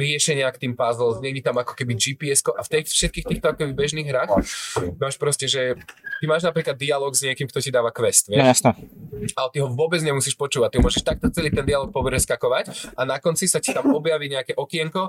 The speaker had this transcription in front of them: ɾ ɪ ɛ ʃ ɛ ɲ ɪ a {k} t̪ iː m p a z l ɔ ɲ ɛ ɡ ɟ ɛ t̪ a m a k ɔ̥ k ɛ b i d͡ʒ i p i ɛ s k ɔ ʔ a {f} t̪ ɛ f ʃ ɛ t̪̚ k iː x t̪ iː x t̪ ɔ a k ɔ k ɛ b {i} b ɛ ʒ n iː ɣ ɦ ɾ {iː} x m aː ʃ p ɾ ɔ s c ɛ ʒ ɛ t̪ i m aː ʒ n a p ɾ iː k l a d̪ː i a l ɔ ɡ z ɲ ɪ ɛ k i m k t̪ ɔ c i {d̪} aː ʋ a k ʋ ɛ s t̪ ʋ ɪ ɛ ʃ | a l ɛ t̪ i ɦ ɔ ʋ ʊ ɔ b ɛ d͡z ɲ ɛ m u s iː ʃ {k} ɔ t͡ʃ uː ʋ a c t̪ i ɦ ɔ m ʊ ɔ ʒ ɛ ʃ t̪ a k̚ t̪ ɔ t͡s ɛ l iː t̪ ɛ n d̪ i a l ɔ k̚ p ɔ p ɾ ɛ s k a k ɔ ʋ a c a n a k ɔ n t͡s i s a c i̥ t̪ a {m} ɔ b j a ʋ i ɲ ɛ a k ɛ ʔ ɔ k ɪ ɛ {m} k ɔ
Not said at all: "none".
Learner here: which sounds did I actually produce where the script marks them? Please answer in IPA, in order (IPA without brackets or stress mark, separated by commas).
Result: k, f, i, aː, d̪, p, m, ŋ